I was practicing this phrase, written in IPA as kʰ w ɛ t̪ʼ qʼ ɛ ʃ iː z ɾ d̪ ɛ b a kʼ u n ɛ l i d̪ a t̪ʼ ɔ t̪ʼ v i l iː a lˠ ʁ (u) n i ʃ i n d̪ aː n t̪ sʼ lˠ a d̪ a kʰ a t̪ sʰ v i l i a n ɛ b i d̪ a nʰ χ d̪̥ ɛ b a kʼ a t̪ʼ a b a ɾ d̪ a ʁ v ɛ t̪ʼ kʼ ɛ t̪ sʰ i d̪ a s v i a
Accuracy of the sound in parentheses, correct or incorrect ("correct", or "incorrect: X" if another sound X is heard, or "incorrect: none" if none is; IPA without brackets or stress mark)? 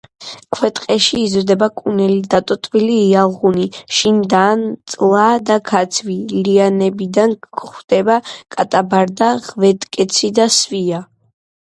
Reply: correct